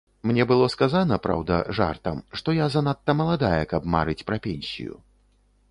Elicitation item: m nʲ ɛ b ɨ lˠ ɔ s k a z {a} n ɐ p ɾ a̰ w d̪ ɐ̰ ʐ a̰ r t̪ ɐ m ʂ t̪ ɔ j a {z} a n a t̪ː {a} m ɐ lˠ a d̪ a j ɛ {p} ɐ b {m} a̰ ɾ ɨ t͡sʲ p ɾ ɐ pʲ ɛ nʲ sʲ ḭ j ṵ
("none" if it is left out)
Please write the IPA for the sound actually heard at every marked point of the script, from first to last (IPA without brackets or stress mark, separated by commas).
a, z, ɐ, k, m